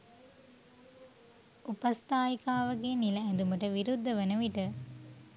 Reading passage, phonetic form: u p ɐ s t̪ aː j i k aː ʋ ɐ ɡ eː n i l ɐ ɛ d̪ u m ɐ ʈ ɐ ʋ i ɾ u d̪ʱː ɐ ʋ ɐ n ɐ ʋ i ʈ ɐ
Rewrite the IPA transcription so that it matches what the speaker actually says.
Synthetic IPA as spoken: u p ɐ s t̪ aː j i k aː ʋ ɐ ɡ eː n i l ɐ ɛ d̪ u m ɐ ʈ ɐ ʋ i ɾ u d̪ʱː ɐ ʋ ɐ n ɐ ʋ i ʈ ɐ

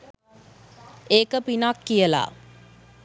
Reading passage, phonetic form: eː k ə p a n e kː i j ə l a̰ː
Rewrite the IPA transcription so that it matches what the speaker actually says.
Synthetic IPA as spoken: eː k ə p i n a kː i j ə l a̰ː

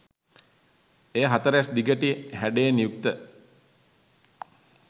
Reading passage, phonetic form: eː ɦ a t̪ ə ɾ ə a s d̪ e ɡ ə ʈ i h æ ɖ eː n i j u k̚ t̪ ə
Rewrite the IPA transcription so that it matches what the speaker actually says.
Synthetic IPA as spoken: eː ɦ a t̪ ə ɾ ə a s d̪ i ɡ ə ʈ i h æ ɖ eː n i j u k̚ t̪ ə

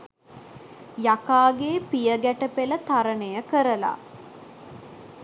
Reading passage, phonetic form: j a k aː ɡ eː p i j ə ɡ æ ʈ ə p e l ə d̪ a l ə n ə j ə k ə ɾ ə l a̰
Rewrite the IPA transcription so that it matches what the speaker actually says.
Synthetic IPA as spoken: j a k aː ɡ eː p i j ə ɡ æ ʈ ə p e l ə t̪ a ɾ ə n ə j ə k ə ɾ ə l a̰

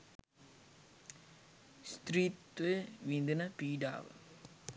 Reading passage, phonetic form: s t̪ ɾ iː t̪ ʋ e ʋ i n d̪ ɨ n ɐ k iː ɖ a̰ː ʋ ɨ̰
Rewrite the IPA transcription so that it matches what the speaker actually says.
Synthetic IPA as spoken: s t̪ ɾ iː t̪ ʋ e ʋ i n d̪ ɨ n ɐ p iː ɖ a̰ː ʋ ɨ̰

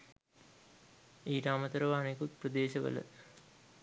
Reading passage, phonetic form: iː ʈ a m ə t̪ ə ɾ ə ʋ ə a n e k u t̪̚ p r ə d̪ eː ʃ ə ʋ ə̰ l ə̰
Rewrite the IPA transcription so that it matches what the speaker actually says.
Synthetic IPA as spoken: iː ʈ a m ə t̪ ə ɾ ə ʋ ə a n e k u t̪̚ p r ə d̪ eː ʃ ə ʋ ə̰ l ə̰

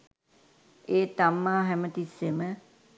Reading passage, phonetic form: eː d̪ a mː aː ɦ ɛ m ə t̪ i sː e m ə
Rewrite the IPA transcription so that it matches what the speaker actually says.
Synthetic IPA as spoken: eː t̪ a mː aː ɦ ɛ m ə t̪ i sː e m ə

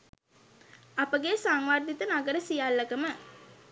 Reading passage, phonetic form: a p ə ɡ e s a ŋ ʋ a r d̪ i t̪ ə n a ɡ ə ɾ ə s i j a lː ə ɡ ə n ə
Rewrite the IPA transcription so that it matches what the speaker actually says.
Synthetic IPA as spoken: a p ə ɡ e s a ŋ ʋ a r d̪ i t̪ ə n a ɡ ə ɾ ə s i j a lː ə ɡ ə m ə

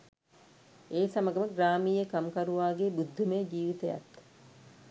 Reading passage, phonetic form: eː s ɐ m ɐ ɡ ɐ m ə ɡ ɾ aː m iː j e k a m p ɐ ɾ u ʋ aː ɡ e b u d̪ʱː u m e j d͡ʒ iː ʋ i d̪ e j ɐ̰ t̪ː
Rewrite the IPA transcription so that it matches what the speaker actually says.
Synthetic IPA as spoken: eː s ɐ m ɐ ɡ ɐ m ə ɡ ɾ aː m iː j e k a m k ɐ ɾ u ʋ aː ɡ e b u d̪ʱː u m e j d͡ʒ iː ʋ i t̪ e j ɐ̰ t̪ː

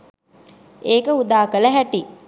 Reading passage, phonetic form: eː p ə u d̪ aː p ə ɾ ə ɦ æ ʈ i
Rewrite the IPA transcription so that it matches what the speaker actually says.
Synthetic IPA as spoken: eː k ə u d̪ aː k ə l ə ɦ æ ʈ i

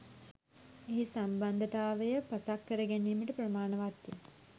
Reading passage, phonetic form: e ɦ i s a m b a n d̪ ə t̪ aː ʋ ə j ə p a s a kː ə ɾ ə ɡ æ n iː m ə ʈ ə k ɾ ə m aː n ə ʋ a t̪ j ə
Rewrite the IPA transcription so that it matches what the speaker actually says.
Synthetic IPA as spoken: e ɦ i s a m b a n d̪ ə t̪ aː ʋ ə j ə p a s a kː ə ɾ ə ɡ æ n iː m ə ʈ ə p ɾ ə m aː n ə ʋ a t̪ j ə

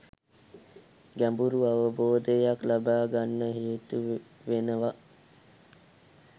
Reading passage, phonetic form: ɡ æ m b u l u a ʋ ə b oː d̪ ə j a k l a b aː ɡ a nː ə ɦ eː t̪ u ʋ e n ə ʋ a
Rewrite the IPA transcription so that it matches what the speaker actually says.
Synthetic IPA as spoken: ɡ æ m b u ɾ u a ʋ ə b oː d̪ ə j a k l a b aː ɡ a nː ə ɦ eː t̪ u ʋ e n ə ʋ a

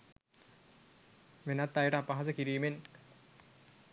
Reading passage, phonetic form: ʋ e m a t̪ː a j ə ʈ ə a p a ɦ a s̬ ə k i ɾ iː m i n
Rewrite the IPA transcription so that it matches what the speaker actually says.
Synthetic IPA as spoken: ʋ e n a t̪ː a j ə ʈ ə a p a ɦ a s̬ ə k i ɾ iː m e n

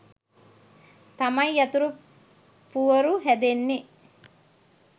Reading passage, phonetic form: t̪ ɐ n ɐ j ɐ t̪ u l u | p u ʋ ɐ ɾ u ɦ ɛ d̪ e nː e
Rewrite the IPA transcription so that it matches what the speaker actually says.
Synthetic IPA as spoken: t̪ ɐ m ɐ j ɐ t̪ u ɾ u | p u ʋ ɐ ɾ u ɦ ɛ d̪ e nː i

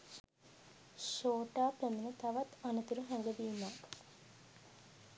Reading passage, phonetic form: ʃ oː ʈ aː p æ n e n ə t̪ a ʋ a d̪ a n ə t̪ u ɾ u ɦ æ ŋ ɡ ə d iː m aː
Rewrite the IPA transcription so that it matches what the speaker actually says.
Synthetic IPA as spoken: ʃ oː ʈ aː p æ m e n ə t̪ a ʋ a t̪ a n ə t̪ u ɾ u ɦ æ ŋ ɡ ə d iː m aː

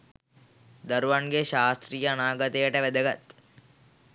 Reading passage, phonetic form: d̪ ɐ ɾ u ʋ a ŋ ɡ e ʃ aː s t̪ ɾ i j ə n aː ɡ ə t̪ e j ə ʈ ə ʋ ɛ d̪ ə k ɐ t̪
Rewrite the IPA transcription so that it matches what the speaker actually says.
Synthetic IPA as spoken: d̪ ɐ ɾ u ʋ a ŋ ɡ e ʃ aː s t̪ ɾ i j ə n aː ɡ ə t̪ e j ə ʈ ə ʋ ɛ d̪ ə ɡ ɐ t̪

